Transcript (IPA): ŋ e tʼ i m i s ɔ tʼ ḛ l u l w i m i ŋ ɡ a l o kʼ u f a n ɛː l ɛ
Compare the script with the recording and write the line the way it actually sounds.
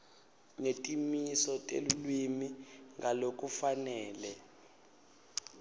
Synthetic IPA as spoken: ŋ e tʼ i m i s ɔ tʼ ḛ l u l w i m i ŋ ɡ a l o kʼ u f a n ɛː l ɛ